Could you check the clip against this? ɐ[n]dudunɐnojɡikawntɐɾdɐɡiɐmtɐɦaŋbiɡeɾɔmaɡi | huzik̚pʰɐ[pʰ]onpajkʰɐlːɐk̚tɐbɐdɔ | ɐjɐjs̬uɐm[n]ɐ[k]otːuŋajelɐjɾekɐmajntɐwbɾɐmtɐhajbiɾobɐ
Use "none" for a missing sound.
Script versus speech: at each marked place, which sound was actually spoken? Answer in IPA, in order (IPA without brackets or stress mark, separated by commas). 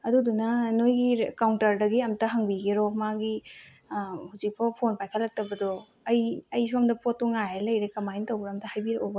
none, pʰ, d, p